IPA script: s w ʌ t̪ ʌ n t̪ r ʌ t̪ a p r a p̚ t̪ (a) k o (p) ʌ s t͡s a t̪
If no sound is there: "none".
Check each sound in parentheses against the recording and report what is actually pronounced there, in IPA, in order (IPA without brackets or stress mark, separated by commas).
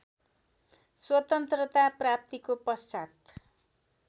i, p